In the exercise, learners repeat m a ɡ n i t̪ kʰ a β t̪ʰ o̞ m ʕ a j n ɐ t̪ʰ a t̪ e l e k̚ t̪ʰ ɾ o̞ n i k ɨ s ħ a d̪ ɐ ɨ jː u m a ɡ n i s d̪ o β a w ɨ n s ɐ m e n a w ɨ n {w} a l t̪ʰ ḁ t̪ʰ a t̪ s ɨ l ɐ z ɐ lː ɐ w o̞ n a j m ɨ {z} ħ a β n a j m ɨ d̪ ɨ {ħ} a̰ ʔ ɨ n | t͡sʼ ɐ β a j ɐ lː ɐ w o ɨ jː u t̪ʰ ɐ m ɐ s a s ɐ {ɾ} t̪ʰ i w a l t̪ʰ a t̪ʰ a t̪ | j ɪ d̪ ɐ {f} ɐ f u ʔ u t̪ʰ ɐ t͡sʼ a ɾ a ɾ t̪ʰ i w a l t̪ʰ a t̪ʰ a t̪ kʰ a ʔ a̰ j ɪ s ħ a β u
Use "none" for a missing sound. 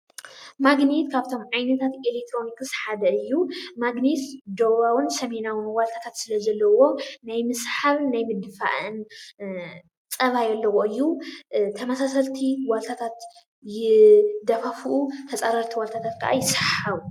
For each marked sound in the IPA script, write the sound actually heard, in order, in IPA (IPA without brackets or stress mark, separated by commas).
w, s, f, l, f